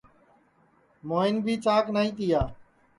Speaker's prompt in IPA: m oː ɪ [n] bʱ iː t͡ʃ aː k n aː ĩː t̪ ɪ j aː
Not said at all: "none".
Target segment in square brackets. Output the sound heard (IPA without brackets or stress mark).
n